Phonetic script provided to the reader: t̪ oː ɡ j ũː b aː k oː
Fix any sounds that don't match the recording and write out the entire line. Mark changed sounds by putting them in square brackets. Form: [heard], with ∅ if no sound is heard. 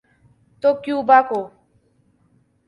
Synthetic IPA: t̪ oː [k] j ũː b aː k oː